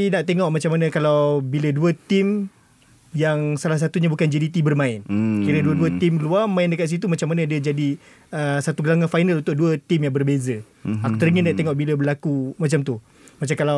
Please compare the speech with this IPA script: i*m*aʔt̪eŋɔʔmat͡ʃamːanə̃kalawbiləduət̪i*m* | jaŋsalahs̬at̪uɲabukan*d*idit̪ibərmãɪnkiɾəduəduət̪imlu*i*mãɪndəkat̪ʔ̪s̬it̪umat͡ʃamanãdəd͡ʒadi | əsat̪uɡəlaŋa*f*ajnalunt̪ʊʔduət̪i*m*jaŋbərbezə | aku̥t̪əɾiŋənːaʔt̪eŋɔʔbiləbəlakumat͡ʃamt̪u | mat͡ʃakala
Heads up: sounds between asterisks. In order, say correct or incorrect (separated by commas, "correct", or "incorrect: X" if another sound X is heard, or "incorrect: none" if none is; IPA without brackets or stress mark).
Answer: incorrect: n, correct, incorrect: d͡ʒ, incorrect: a, correct, correct